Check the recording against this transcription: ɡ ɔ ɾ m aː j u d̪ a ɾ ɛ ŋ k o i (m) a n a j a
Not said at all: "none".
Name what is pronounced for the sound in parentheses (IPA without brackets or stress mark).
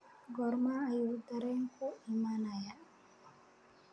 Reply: m